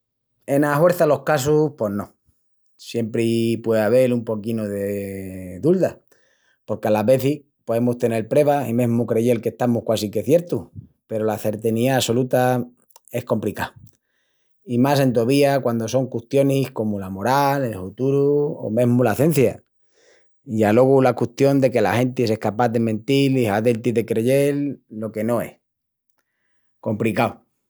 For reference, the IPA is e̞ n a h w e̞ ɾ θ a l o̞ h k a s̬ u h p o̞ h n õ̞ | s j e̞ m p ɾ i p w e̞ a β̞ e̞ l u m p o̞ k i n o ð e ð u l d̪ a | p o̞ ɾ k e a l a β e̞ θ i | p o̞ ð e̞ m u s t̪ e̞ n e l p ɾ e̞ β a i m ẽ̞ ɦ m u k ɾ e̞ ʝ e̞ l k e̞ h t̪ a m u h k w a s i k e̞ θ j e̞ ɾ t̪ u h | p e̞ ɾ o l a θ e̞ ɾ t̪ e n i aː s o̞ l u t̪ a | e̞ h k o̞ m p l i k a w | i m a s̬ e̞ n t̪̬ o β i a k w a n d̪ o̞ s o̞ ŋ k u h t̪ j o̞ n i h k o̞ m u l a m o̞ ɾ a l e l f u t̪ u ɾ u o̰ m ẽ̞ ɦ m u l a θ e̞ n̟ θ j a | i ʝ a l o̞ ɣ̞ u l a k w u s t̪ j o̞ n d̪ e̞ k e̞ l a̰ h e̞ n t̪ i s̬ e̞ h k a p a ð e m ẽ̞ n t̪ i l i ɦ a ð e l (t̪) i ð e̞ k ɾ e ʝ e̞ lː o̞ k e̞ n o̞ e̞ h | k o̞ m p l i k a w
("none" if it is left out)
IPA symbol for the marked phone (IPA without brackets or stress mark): t̪